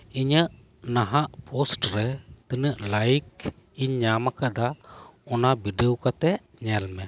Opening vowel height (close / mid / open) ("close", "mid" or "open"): close